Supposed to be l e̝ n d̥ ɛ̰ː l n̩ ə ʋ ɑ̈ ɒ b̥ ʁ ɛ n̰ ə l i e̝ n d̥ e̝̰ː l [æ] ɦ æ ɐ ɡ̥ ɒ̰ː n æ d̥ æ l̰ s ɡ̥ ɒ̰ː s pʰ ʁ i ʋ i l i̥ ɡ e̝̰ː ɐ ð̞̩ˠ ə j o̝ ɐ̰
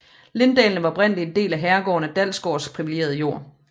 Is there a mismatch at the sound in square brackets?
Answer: no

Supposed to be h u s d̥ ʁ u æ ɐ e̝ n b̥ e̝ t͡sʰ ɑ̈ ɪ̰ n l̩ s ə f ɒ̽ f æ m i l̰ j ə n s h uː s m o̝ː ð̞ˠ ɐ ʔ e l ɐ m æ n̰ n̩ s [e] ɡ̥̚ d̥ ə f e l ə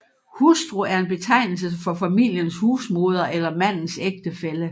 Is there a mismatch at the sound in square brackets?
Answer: no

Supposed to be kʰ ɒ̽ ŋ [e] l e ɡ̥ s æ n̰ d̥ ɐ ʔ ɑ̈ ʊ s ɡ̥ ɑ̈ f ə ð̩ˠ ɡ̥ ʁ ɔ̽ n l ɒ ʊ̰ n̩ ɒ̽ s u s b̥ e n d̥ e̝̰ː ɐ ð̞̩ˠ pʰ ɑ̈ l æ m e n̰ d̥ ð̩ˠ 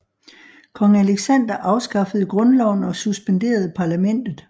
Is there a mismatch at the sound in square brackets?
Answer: yes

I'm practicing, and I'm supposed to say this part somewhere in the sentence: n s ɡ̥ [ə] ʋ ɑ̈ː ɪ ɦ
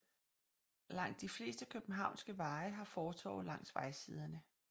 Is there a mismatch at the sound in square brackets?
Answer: no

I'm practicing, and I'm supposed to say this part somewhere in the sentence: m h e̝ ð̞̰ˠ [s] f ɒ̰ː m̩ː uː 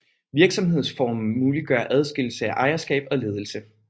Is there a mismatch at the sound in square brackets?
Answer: no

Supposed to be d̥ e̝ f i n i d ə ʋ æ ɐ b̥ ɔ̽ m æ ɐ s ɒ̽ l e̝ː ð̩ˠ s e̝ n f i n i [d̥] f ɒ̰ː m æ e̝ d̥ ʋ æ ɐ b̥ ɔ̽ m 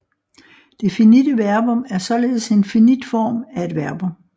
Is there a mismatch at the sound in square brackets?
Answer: no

